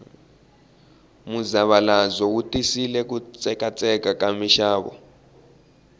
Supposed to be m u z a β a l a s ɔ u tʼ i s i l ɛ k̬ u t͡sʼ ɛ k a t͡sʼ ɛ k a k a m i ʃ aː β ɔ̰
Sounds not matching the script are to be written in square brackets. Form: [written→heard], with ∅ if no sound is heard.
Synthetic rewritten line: m u z a β a l a [s→z] ɔ u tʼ i s i l ɛ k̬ u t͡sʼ ɛ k a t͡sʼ ɛ k a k a m i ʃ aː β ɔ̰